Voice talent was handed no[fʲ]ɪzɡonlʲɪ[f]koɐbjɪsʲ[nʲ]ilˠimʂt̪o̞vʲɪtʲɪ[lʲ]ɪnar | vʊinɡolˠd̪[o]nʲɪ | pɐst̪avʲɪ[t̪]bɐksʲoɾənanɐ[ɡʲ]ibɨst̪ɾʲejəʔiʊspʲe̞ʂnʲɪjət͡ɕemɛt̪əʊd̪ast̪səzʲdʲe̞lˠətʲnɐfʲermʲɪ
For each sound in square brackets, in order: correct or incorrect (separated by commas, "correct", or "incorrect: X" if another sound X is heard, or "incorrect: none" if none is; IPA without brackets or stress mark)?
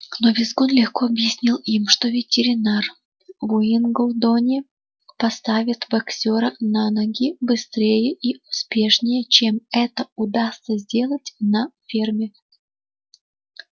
incorrect: vʲ, incorrect: x, correct, incorrect: ɾʲ, correct, correct, correct